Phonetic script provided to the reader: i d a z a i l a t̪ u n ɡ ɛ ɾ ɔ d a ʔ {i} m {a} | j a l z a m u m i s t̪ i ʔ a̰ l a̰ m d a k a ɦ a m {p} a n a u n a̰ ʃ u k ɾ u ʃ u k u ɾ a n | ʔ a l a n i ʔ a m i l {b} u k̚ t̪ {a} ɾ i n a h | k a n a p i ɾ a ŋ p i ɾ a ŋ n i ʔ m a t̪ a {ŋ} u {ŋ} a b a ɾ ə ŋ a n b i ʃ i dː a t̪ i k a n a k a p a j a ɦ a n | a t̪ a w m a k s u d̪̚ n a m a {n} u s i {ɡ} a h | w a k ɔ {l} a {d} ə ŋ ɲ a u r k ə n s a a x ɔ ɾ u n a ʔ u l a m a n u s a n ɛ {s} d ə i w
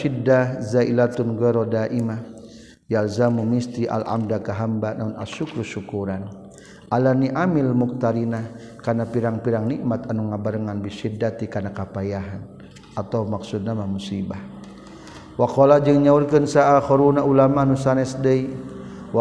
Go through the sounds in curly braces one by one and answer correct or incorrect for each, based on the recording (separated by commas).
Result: correct, correct, incorrect, incorrect, correct, incorrect, correct, incorrect, incorrect, correct, incorrect, correct